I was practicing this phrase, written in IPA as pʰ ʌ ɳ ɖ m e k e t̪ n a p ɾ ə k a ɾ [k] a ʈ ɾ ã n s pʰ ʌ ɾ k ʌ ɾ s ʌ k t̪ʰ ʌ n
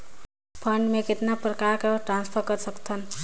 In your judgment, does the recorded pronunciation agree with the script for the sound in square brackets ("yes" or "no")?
yes